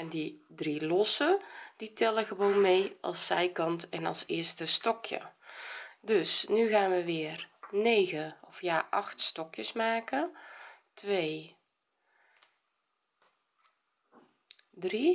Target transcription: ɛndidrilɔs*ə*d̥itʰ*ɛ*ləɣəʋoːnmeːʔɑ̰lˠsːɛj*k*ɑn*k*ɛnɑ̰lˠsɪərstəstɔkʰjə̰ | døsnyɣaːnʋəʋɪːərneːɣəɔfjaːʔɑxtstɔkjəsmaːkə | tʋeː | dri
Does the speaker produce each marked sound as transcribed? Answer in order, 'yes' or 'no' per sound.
yes, yes, yes, no

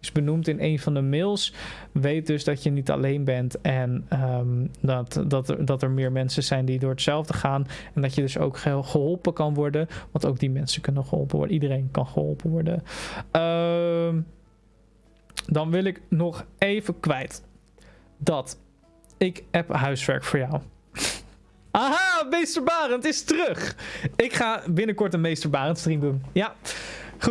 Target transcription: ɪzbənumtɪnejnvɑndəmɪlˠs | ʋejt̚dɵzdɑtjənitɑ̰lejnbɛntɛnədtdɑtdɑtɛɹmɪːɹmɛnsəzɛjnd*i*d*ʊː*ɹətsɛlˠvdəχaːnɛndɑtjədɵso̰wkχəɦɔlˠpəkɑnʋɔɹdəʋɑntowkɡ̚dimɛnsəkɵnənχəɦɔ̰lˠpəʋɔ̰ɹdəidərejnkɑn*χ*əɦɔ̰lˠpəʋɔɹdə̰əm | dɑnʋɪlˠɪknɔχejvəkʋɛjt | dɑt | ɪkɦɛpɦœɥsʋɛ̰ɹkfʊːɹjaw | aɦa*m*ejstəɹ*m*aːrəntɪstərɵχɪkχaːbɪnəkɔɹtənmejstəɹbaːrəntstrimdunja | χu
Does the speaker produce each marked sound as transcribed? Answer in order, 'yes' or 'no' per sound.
yes, yes, yes, yes, no

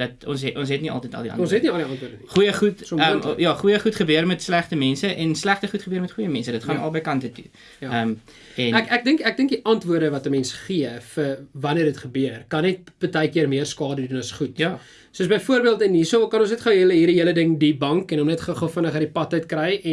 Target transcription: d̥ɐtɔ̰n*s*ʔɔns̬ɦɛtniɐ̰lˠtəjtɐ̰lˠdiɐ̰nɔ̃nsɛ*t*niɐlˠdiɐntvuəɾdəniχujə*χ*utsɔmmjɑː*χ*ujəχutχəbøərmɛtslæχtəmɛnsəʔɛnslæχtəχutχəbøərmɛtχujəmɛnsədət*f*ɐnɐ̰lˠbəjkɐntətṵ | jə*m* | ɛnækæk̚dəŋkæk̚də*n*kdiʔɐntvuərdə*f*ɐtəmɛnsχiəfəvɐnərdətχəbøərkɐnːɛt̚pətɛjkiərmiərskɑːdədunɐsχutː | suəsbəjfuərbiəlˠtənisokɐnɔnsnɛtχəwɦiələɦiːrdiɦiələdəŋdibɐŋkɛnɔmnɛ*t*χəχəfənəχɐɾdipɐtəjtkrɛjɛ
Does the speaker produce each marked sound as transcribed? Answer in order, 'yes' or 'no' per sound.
yes, yes, yes, yes, no, yes, no, no, yes

